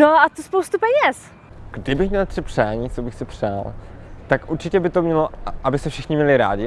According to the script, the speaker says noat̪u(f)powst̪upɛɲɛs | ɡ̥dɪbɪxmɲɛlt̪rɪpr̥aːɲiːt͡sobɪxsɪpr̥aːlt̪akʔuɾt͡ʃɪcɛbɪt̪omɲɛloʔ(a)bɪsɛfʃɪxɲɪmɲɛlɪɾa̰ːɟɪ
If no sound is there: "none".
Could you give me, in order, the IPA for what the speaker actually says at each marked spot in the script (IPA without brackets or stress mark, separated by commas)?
s, a